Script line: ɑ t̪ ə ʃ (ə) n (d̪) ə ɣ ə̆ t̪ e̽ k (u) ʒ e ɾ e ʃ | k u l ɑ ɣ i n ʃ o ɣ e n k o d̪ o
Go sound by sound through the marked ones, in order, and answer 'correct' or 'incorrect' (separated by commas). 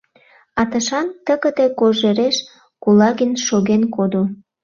incorrect, incorrect, incorrect